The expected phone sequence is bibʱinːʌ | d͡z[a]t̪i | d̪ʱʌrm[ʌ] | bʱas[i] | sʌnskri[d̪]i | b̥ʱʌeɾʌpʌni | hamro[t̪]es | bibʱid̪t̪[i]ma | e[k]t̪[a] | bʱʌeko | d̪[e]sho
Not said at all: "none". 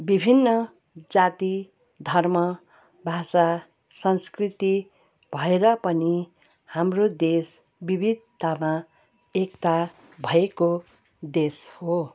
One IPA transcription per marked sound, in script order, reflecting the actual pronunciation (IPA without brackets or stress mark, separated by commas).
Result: a, ʌ, a, t̪, d̪, a, k, a, e